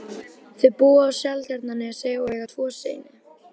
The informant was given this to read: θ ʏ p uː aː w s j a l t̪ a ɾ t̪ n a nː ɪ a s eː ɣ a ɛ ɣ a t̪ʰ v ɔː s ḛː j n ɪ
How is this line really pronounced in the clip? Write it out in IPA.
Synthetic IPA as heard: θ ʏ p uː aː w s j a l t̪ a ɾ t̪ n a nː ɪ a s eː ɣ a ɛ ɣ a t̪ʰ v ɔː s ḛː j n ɪ